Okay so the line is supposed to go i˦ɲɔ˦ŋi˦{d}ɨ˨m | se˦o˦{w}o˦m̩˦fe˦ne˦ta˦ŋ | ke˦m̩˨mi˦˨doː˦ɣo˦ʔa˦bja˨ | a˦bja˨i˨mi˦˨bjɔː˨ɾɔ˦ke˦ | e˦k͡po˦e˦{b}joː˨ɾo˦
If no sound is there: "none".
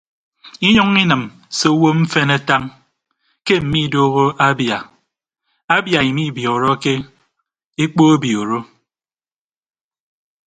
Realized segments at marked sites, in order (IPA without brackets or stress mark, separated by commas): n, w, b